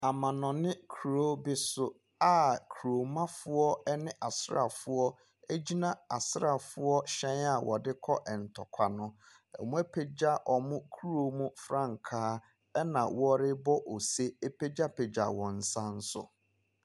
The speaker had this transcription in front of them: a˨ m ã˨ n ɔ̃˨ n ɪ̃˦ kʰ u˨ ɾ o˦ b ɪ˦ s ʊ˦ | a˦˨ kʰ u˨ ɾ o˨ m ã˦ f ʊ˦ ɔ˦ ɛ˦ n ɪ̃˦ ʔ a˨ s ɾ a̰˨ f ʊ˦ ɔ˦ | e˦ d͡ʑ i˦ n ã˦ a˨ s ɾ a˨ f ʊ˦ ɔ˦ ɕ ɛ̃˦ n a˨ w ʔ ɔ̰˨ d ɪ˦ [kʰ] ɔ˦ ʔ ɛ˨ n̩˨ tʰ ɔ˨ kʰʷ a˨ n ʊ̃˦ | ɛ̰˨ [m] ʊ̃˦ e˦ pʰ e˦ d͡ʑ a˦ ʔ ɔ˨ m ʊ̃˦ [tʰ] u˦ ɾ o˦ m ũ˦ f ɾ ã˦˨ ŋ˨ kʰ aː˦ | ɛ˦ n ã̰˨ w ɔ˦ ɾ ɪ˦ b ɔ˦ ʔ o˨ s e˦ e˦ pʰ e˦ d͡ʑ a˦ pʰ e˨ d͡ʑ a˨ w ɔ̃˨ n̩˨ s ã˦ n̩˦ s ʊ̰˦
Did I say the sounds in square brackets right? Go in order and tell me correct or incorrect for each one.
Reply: correct, correct, incorrect: kʰ

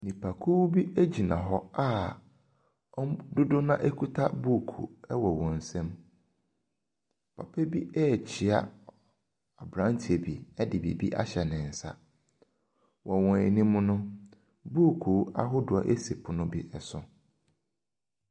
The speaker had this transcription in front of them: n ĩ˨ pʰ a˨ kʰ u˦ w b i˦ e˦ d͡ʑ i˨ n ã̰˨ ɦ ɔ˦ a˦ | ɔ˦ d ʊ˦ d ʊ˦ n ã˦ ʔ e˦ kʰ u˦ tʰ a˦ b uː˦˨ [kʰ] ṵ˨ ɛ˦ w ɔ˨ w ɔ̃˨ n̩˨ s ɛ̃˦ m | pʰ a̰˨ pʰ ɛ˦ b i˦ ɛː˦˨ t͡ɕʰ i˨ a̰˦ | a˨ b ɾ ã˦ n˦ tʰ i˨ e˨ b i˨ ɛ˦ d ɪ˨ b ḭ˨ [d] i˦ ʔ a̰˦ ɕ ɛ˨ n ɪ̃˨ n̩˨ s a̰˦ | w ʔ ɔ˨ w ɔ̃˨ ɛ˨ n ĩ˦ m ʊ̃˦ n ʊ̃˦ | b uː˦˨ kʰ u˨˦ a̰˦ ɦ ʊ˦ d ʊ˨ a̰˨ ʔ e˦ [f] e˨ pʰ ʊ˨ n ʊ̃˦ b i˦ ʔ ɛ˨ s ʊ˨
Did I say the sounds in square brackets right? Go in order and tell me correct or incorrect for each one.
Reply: correct, incorrect: b, incorrect: s

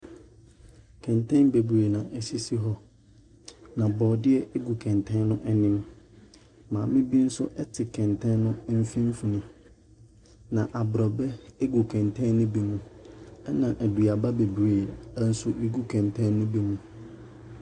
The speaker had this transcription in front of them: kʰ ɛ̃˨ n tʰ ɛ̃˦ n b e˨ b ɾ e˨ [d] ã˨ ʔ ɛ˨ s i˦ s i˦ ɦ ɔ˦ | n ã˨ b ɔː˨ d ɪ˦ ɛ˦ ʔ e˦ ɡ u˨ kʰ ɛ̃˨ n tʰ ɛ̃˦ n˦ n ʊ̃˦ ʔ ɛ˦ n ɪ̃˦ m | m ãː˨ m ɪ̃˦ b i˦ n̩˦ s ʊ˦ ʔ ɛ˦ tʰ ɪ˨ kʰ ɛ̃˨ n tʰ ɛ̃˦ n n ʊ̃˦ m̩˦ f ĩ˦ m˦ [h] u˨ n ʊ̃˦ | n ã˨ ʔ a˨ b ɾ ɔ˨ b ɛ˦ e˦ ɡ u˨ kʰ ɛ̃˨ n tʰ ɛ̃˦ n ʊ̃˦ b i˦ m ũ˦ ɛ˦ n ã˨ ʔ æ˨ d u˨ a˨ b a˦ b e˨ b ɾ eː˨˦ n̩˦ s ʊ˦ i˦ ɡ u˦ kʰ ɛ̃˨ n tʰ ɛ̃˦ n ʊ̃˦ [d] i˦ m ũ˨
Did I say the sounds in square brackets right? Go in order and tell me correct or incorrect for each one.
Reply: incorrect: n, incorrect: f, incorrect: b

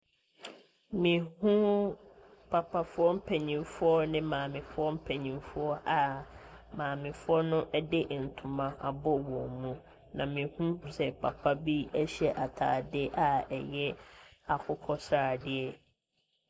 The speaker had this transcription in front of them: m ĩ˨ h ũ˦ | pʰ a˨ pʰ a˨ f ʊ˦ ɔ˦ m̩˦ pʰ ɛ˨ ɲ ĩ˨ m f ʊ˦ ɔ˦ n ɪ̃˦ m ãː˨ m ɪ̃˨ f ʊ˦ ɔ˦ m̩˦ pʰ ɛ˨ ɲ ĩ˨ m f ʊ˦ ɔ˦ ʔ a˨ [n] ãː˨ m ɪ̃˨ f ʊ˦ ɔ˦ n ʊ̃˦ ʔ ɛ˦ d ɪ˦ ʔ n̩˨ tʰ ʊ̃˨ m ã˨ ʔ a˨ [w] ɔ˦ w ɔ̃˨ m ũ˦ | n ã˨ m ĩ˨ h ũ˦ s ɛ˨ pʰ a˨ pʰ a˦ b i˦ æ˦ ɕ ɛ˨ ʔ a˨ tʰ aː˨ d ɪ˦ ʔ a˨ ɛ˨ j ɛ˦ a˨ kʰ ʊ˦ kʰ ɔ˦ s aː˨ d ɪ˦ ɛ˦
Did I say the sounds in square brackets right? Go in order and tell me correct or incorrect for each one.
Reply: incorrect: m, incorrect: b

